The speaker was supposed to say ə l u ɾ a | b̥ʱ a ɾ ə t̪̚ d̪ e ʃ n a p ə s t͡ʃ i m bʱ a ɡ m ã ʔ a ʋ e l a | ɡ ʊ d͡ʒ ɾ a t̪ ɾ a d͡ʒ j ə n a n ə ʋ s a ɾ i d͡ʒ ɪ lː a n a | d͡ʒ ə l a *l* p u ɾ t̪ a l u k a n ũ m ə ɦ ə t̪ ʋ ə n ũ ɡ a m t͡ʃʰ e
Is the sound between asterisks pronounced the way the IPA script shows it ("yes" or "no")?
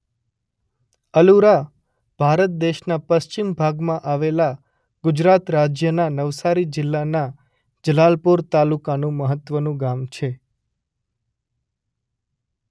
yes